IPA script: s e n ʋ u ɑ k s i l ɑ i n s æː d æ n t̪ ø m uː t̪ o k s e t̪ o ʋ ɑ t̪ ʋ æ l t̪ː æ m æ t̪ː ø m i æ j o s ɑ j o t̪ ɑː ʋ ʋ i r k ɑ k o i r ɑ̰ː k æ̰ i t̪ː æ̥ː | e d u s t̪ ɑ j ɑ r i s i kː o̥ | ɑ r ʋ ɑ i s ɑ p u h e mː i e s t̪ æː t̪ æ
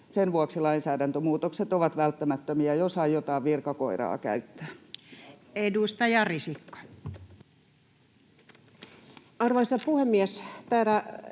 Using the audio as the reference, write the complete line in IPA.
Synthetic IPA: s e n ʋ u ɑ k s i l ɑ i n s æː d æ n t̪ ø m uː t̪ o k s e t̪ o ʋ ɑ t̪ ʋ æ l t̪ː æ m æ t̪ː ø m i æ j o s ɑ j o t̪ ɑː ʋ ʋ i r k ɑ k o i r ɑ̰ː k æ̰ y t̪ː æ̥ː | e d u s t̪ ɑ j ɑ r i s i kː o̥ | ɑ r ʋ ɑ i s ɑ p u h e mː i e s t̪ æː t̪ æ

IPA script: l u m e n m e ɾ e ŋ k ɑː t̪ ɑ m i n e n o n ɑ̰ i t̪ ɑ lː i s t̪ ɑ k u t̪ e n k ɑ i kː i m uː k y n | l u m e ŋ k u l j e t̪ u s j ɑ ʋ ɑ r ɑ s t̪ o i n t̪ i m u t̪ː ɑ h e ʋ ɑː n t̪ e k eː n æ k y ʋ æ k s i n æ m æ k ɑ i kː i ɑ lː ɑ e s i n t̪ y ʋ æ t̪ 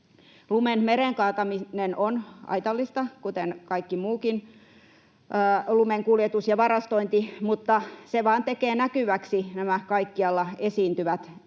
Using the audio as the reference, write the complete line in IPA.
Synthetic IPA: l u m e n m e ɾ e ŋ k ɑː t̪ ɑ m i n e n o n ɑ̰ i t̪ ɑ lː i s t̪ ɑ k u t̪ e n k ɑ i kː i m uː k i n | l u m e ŋ k u l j e t̪ u s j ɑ ʋ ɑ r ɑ s t̪ o i n t̪ i m u t̪ː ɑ s e ʋ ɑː n t̪ e k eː n æ k y ʋ æ k s i n æ m æ k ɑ i kː i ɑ lː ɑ e s iː n t̪ y ʋ æ t̪

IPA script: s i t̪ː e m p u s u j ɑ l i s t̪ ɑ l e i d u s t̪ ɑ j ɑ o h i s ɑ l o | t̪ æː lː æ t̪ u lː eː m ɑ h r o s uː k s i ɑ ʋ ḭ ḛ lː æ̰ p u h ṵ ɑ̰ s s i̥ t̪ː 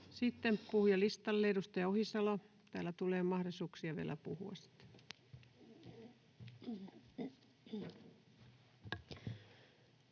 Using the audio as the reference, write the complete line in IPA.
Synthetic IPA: s i t̪ː e m p u h u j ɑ l i s t̪ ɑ lː e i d u s t̪ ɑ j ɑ o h i s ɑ l o | t̪ æː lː æ t̪ u l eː m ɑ h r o s uː k s i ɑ ʋ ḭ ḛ l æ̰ p u h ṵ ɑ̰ s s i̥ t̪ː

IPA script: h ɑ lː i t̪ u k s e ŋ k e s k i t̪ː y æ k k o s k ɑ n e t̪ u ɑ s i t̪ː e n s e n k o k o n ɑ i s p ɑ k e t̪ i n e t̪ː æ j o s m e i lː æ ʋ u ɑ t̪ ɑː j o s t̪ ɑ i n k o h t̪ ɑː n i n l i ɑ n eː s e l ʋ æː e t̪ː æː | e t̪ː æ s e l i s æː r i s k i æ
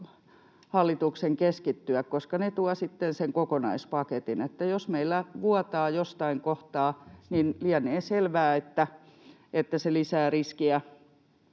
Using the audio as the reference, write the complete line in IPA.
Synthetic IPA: h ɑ lː i t̪ u k s e ŋ k e s k i t̪ː y æ k k o s k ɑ n e t̪ u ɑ s i t̪ː e n s e ŋ k o k o n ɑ i s p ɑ k e t̪ i n e t̪ː æ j o s m e i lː æ ʋ u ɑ t̪ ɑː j o s t̪ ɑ i ŋ k o h t̪ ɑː n i n l i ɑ n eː s e l ʋ æː e t̪ː æ | e t̪ː æ s e l i s æː r i s k i æ

